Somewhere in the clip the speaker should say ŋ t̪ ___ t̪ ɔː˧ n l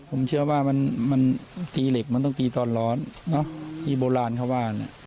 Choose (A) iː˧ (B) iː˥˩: A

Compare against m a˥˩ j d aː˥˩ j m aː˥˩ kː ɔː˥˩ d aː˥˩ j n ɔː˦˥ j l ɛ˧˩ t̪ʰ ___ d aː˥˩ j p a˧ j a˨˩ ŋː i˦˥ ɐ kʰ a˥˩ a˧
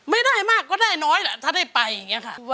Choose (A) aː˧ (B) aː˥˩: B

